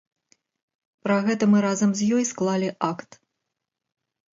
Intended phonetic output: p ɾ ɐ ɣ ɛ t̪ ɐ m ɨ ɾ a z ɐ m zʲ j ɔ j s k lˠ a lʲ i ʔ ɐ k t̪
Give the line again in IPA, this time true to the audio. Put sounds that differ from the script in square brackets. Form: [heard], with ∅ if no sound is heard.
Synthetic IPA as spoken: p ɾ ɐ ɣ ɛ t̪ ɐ m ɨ ɾ a z ɐ m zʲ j ɔ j s k lˠ a lʲ i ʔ [a] k t̪